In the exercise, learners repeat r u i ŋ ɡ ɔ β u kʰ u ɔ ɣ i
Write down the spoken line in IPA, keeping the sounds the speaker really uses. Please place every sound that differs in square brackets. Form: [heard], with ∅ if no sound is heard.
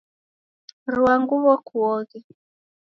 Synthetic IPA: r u [a] ŋ ɡ [u] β [ɔ] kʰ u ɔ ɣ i

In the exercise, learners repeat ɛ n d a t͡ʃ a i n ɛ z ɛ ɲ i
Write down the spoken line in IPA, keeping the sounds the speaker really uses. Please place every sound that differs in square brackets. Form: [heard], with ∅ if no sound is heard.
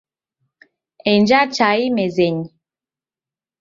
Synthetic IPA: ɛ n [d͡ʒ] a t͡ʃ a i [m] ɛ z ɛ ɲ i

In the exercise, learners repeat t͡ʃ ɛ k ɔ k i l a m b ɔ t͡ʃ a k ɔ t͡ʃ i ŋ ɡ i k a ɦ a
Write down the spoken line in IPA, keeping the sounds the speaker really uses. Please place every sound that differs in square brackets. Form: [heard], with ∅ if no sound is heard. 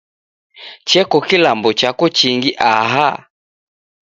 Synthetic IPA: t͡ʃ ɛ k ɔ k i l a m b ɔ t͡ʃ a k ɔ t͡ʃ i ŋ ɡ i [ʔ] a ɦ a

